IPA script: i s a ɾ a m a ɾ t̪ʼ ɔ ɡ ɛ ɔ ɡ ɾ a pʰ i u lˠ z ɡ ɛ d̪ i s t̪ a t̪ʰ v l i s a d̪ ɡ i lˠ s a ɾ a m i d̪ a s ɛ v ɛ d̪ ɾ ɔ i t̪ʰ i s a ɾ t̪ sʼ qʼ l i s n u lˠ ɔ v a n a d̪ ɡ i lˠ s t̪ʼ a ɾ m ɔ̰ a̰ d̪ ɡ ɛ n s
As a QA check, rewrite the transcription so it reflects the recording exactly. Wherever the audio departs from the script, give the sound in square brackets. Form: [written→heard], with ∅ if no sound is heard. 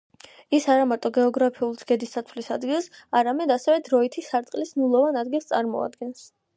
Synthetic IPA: i s a ɾ a m a ɾ t̪ʼ ɔ ɡ ɛ ɔ ɡ ɾ a pʰ i u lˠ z ɡ ɛ d̪ i s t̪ a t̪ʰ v l i s a d̪ ɡ i lˠ s a ɾ a m [i→ɛ] d̪ a s ɛ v ɛ d̪ ɾ ɔ i t̪ʰ i s a ɾ t̪ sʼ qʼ l i s n u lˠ ɔ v a n a d̪ ɡ i lˠ s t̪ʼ a ɾ m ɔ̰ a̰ d̪ ɡ ɛ n s